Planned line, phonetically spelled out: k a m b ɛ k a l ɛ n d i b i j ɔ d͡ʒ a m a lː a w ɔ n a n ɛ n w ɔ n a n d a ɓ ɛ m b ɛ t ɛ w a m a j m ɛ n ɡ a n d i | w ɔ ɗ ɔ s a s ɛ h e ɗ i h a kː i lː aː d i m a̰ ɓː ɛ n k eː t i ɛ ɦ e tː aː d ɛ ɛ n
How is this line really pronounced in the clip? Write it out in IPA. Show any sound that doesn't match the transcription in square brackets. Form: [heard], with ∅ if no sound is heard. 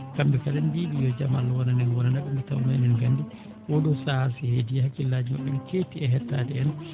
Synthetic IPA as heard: k a m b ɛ k a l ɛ n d i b i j ɔ d͡ʒ a m a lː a w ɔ n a n ɛ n w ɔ n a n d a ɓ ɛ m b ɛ t [a] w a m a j [n] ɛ n ɡ a n d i | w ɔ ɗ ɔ s a s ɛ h e [d] i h a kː i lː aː [d͡ʒ] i m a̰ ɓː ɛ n k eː t i ɛ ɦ [ɛ] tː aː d ɛ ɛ n